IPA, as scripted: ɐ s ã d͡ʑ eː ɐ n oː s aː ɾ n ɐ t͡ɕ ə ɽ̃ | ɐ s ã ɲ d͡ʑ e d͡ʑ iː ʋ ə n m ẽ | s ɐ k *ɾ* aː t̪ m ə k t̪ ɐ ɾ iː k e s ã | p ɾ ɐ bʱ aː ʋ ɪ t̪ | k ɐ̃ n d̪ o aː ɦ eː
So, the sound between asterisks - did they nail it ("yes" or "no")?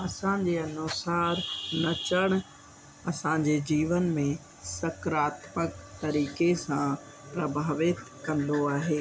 yes